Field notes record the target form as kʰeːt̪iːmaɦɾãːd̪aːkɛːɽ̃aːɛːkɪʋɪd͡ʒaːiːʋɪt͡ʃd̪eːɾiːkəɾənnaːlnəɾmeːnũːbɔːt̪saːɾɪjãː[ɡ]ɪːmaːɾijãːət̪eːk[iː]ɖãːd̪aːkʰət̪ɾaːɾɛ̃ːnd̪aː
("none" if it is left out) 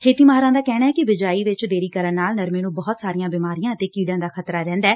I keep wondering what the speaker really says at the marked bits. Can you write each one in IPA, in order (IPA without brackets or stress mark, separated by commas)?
b, iː